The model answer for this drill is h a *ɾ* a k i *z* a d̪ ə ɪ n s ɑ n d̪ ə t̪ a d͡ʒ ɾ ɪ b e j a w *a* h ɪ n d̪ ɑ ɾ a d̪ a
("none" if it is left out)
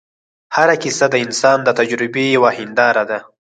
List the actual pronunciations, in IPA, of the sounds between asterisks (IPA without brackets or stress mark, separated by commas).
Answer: ɾ, s, a